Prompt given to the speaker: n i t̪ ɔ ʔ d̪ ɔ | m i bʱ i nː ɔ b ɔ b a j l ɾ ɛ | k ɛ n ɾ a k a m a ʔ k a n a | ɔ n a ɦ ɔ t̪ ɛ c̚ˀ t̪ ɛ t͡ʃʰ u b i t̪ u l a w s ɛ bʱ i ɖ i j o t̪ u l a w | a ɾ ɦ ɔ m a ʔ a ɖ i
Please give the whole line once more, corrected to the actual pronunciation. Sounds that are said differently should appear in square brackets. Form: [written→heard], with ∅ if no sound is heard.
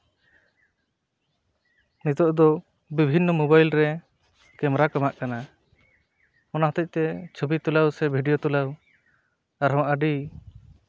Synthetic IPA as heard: n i t̪ ɔ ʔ d̪ ɔ | [m→b] i bʱ i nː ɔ [b→m] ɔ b a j l ɾ ɛ | k ɛ [n→m] ɾ a k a m a ʔ k a n a | ɔ n a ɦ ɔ t̪ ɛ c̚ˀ t̪ ɛ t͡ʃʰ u b i t̪ u l a w s ɛ bʱ i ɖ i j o t̪ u l a w | a ɾ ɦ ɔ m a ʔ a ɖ i